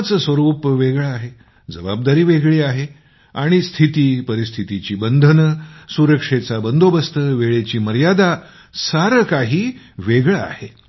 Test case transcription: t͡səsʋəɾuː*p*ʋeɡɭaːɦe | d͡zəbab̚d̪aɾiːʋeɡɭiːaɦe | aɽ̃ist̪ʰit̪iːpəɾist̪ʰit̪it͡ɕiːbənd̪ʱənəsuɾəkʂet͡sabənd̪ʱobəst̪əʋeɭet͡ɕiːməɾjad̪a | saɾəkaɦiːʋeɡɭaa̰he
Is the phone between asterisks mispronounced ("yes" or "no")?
no